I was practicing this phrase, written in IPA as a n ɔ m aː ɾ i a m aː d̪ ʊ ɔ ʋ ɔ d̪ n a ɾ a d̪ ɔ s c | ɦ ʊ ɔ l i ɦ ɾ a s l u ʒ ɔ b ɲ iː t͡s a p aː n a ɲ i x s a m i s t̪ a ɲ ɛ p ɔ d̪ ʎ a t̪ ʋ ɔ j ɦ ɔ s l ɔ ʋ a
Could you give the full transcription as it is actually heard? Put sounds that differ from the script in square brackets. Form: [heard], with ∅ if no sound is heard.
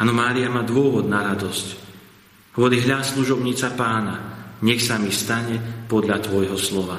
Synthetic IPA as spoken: a n ɔ m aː ɾ i a m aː d̪ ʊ ɔ ʋ ɔ d̪ n a ɾ a d̪ ɔ s c | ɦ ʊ ɔ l i ɦ [ʎ] a s l u ʒ ɔ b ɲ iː t͡s a p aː n a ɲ [ɛ] x s a m i s t̪ a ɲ ɛ p ɔ d̪ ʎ a t̪ ʋ ɔ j ɦ ɔ s l ɔ ʋ a